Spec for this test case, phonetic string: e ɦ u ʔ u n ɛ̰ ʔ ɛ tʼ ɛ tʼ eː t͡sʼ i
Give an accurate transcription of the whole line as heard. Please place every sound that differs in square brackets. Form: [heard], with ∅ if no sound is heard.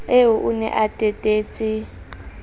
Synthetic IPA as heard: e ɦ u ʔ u n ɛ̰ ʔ [a] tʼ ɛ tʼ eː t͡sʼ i

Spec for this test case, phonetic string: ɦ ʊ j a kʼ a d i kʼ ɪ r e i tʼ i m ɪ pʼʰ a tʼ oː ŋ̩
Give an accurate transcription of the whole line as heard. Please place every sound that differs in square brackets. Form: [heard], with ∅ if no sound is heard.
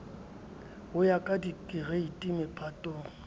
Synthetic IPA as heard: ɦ ʊ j a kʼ a d i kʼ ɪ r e i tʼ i m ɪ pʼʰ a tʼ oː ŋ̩

